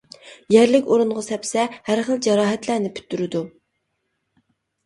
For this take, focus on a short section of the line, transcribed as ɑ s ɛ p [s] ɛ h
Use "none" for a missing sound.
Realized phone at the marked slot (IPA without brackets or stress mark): s